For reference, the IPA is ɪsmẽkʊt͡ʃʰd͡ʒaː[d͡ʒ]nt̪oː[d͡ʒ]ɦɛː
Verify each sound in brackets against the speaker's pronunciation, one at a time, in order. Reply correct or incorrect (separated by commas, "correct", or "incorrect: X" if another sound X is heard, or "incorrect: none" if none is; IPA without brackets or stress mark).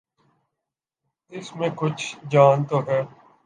incorrect: none, incorrect: none